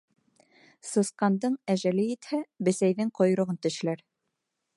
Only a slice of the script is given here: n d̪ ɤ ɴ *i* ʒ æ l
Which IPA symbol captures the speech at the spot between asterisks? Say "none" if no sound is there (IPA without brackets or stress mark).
æ